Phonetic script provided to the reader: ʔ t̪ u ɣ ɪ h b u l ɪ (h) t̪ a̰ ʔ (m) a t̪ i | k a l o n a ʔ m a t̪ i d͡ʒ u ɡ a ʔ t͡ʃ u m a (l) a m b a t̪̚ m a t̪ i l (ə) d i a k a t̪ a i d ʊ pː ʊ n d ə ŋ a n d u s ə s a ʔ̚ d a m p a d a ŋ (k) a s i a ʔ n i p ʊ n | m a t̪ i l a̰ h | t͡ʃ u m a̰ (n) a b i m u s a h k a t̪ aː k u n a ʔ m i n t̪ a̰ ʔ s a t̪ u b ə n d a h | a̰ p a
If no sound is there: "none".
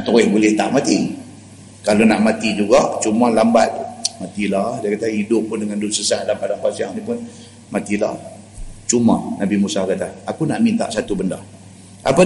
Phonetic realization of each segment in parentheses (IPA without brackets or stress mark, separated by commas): h, m, l, a, p, n